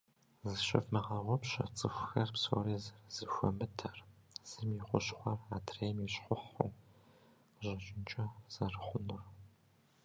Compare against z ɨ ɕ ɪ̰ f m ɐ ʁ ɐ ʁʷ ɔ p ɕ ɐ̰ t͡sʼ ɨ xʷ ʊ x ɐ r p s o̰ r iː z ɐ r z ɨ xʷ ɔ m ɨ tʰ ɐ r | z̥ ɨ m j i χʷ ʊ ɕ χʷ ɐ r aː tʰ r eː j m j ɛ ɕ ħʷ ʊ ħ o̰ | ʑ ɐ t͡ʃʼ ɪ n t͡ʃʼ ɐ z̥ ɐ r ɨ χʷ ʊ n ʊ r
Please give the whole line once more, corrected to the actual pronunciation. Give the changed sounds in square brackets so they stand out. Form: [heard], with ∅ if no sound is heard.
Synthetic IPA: z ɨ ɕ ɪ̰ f m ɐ ʁ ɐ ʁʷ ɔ p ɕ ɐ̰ t͡sʼ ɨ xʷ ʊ x ɐ r p s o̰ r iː z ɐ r z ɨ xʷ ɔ m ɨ tʰ ɐ r | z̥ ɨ m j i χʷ ʊ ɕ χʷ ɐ r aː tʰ r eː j m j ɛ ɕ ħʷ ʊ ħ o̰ | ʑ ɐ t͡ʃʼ ɪ n t͡ʃʼ ɐ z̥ ɐ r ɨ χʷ ʊ n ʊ r